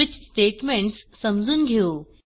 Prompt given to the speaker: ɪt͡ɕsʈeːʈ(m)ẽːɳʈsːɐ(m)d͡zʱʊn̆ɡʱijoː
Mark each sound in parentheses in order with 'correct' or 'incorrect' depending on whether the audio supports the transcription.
correct, correct

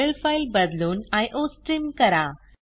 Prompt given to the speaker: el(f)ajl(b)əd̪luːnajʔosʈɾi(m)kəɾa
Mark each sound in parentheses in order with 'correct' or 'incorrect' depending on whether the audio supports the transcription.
correct, correct, correct

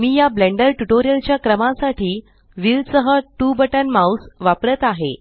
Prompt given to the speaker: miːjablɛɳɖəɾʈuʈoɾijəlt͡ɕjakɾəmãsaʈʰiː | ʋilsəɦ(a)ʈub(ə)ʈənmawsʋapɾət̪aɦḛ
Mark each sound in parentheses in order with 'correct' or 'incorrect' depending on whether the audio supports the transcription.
incorrect: ə, correct

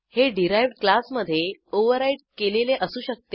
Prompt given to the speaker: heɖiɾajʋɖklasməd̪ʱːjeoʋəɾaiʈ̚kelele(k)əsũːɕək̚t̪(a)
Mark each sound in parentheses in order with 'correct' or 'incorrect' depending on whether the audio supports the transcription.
incorrect: ʔ, incorrect: e

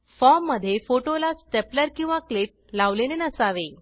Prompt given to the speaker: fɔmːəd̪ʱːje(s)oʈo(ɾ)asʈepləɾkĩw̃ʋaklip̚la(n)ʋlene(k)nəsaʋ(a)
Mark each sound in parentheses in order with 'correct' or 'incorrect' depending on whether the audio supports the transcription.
incorrect: f, incorrect: l, incorrect: none, incorrect: none, incorrect: e

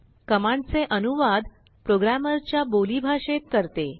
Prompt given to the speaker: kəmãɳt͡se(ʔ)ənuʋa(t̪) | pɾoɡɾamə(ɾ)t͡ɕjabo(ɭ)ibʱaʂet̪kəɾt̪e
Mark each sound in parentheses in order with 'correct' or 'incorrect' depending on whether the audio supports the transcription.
correct, incorrect: d̪, correct, incorrect: l

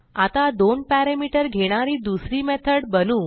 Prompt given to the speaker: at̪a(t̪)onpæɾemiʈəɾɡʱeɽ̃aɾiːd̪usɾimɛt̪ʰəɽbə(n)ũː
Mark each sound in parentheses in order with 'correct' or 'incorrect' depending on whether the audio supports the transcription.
incorrect: d̪, correct

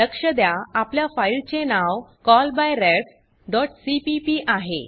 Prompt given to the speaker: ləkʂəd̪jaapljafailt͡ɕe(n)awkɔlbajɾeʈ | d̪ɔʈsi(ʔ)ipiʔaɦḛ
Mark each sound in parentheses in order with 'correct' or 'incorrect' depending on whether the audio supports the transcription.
correct, incorrect: p

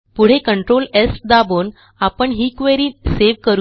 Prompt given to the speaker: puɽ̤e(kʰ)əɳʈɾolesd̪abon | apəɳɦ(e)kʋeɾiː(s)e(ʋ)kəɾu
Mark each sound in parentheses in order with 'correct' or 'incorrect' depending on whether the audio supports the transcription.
incorrect: k, incorrect: i, correct, correct

